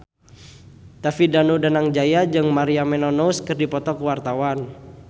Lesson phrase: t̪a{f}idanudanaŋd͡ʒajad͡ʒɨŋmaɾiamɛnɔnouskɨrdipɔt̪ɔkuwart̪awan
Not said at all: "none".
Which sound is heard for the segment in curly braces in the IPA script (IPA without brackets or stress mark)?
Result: f